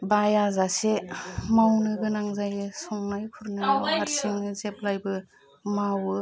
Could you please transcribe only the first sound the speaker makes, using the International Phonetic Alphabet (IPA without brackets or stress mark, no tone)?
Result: b